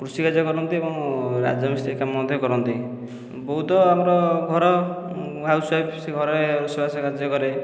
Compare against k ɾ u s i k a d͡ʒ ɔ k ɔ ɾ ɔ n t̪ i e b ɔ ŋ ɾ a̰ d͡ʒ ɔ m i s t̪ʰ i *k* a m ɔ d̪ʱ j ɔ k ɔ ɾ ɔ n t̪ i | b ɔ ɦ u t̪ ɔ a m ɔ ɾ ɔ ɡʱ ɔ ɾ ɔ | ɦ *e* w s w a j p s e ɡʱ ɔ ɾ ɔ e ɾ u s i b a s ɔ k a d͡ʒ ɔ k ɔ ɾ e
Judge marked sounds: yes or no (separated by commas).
yes, no